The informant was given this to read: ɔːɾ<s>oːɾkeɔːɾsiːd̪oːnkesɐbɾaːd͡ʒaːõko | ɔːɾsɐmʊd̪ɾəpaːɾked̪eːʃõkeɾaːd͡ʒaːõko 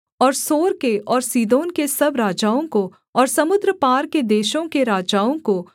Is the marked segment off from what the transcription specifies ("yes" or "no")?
no